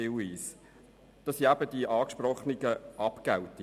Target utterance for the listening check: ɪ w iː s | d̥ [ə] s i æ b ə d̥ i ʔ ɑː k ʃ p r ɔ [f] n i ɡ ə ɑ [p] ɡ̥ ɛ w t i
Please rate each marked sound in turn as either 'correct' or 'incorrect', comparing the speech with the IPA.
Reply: incorrect: ɑ, incorrect: χ, correct

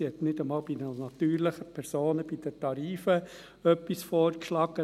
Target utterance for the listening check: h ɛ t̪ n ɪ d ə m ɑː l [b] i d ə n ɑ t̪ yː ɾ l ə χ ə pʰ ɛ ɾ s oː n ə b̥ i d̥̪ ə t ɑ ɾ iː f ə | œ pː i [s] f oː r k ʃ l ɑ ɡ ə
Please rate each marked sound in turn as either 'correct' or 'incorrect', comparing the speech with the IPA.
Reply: correct, correct

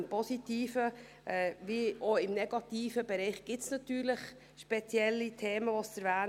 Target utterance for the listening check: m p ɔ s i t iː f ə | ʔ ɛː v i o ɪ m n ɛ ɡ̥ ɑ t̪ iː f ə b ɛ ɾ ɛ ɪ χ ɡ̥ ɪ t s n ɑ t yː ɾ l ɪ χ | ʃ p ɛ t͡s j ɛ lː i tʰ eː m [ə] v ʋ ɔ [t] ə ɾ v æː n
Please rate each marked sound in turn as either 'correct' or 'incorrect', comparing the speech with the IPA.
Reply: correct, incorrect: s

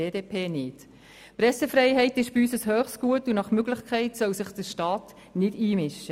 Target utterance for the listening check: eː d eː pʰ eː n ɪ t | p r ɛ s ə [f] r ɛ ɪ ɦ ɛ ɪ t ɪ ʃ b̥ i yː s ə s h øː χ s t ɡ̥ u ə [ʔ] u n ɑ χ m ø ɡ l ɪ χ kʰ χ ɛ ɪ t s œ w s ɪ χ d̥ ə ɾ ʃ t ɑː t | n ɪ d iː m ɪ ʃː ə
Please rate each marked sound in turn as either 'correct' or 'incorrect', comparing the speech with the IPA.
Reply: correct, incorrect: t

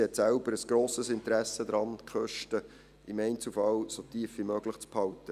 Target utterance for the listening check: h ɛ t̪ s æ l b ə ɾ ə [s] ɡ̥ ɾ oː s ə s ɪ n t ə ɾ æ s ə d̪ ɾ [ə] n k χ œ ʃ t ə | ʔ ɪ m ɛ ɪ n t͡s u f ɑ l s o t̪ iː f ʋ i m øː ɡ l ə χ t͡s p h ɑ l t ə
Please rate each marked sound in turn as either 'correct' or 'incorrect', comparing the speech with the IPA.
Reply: correct, incorrect: ɑ

